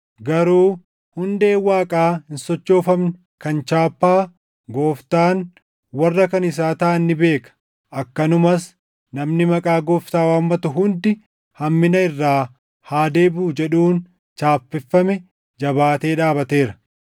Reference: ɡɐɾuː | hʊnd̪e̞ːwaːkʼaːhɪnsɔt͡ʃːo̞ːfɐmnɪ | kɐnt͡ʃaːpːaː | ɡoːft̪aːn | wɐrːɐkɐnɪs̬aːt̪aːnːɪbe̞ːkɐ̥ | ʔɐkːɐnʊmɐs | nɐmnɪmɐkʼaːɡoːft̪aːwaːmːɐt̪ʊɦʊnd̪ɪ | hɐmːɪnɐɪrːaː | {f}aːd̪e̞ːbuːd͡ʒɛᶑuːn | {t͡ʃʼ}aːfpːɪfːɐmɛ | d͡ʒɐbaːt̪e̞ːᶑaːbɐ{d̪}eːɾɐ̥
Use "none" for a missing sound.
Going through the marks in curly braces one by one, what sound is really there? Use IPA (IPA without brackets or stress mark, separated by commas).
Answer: h, t͡ʃ, t̪